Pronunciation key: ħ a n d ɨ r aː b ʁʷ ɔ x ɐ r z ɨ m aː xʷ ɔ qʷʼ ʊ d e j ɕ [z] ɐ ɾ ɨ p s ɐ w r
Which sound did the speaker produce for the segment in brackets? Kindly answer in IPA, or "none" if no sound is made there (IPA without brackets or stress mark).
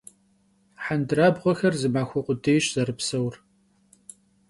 z